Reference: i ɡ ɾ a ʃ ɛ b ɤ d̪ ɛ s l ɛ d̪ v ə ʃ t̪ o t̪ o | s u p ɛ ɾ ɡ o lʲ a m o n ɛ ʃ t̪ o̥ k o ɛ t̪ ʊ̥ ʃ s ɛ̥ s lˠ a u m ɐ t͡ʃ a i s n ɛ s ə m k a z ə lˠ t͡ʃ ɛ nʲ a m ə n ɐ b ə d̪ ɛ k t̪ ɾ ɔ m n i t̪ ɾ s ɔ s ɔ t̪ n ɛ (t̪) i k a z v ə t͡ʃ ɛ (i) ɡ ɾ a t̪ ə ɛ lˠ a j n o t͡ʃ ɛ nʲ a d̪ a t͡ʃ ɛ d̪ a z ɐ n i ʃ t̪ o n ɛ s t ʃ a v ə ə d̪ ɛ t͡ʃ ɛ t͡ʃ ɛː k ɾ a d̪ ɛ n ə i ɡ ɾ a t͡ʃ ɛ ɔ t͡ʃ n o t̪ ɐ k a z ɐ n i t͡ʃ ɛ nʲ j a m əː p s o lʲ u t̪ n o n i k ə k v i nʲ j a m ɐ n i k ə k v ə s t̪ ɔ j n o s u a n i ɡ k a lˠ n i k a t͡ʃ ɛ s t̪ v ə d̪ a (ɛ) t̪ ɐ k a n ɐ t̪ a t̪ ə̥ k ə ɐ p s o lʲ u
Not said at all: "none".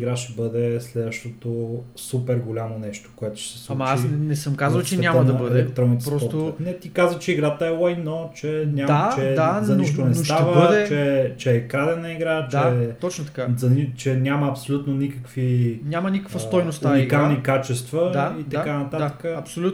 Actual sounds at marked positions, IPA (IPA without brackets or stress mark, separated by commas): t̪, i, i